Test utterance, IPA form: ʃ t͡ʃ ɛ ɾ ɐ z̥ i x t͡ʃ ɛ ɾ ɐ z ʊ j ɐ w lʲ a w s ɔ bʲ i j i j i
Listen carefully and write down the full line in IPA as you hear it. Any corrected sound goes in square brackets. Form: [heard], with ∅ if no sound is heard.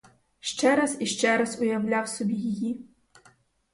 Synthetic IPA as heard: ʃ t͡ʃ ɛ ɾ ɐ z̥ i [ʃ] t͡ʃ ɛ ɾ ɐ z ʊ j ɐ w lʲ a w s ɔ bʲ i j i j i